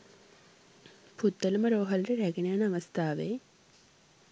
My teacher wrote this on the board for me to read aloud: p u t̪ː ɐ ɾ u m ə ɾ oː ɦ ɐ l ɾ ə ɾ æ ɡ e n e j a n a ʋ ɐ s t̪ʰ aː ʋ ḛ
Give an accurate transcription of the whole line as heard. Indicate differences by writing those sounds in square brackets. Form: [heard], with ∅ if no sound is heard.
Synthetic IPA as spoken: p u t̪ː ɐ [l] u m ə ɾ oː ɦ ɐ l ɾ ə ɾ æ ɡ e n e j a n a ʋ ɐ s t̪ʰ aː ʋ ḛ